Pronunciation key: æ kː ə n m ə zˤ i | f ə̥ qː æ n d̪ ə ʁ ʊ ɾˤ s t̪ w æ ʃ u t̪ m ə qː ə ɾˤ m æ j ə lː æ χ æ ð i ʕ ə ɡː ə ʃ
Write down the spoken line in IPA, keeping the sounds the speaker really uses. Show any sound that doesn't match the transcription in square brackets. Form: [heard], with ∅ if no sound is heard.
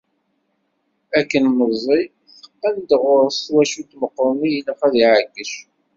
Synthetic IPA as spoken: æ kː ə n m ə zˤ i | [θ] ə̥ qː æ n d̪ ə ʁ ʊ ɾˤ s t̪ w æ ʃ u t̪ m ə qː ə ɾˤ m [i] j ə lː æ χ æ ð i ʕ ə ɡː ə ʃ